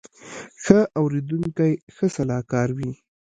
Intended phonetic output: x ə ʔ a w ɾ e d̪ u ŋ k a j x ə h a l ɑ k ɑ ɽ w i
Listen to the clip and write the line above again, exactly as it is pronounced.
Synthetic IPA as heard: x ə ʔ a w ɾ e d̪ u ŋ k a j x ə s a l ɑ k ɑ ɾ w i